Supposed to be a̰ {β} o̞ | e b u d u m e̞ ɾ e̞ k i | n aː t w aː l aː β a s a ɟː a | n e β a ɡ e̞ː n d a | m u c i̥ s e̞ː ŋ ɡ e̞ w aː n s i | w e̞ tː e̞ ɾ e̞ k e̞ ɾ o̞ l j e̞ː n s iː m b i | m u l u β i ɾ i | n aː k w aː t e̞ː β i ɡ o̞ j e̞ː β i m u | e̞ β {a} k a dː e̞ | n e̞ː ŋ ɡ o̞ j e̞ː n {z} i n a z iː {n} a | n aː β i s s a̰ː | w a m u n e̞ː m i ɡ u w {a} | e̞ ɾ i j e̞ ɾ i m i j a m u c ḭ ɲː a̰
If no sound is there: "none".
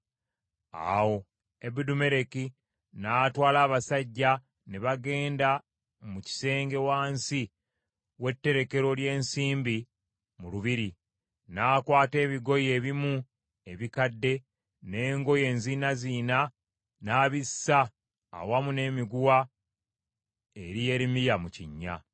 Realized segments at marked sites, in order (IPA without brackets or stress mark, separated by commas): w, i, z, n, a